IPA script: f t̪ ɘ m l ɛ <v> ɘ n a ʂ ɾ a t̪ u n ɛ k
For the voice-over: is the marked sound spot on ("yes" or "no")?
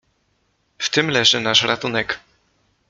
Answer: no